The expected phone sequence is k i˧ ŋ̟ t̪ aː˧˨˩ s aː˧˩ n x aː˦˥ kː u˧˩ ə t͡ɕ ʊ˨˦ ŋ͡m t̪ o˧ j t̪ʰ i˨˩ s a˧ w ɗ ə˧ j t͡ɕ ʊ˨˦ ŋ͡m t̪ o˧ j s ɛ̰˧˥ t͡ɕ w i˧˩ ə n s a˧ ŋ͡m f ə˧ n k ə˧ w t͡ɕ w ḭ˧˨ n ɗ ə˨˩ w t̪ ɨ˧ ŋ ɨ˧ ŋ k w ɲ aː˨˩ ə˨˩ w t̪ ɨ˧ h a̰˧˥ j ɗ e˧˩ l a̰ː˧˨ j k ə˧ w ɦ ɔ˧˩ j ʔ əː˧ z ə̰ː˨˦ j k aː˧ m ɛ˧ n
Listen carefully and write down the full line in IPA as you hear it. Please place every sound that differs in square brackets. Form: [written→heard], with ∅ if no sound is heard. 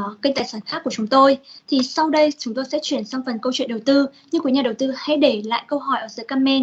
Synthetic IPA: k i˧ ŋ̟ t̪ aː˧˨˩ s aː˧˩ n x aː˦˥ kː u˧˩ ə t͡ɕ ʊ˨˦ ŋ͡m t̪ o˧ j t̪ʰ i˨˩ s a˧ w ɗ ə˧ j t͡ɕ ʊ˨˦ ŋ͡m t̪ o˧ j s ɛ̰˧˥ t͡ɕ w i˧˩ ə n s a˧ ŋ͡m f [ə˧→ə˨˩] n k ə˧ w t͡ɕ w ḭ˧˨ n ɗ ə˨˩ w t̪ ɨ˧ [ŋ→ɲ] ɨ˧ ŋ k w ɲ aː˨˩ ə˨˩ w t̪ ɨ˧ h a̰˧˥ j ɗ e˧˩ l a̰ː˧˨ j k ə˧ w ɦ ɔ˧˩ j ʔ [əː˧→əː˧˩] z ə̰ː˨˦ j k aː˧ m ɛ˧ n